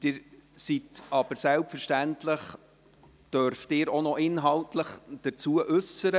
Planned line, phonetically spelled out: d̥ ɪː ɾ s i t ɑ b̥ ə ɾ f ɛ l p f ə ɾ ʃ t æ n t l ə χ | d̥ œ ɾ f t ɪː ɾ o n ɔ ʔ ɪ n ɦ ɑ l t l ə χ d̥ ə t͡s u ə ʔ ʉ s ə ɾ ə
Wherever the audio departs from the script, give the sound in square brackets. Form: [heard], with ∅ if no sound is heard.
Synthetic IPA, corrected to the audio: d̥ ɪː ɾ s i t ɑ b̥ ə ɾ [s] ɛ l p f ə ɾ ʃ t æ n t l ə χ | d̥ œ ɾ f t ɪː ɾ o n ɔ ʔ ɪ n ɦ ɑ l t l ə χ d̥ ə t͡s u ə ʔ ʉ s ə ɾ ə

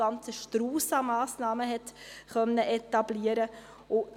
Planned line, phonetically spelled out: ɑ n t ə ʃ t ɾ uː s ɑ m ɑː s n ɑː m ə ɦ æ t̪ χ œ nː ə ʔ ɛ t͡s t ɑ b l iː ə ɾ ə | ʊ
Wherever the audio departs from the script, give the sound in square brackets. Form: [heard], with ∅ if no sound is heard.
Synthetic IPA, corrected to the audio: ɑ n [t͡s] ə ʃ t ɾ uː s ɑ m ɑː s n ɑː m ə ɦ [ɛ] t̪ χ œ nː ə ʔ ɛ [∅] t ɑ b l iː ə ɾ ə | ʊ

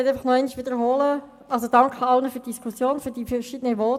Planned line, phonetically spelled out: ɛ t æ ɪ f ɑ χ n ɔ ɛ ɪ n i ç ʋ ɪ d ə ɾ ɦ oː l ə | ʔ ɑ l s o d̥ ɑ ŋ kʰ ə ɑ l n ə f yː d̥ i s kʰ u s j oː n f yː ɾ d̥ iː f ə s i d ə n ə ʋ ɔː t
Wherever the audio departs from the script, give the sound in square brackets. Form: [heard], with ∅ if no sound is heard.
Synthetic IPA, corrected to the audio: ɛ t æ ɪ f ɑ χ n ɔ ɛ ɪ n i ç ʋ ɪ d ə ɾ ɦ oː l ə | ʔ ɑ l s o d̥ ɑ ŋ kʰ ə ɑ l n ə f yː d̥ i s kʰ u s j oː n f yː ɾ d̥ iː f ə [ʃ] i d ə n ə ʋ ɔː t

